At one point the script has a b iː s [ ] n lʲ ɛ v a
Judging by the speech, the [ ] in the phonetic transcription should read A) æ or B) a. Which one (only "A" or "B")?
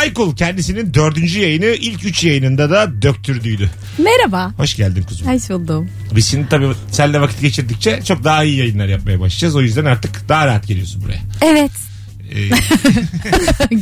A